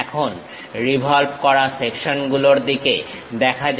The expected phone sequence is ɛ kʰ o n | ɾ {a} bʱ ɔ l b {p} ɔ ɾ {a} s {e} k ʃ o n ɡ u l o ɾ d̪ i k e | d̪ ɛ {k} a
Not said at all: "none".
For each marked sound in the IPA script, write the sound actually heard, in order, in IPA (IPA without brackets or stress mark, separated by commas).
i, k, a, e, kʰ